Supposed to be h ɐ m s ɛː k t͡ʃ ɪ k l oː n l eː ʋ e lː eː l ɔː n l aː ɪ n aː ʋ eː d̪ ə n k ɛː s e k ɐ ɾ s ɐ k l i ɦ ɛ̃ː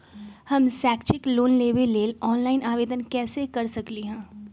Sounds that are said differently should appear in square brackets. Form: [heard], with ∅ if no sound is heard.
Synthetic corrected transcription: h ɐ m s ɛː k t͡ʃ ɪ k l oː n l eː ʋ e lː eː l ɔː n l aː ɪ n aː ʋ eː d̪ ə n k ɛː s e k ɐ ɾ s ɐ k l i ɦ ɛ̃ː